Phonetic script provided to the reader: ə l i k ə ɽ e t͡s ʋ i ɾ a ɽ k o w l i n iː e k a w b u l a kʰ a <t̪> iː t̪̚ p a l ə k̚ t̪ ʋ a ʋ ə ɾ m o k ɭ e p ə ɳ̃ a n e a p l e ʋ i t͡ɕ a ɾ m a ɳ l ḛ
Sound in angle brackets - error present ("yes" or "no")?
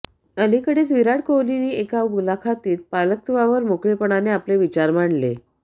no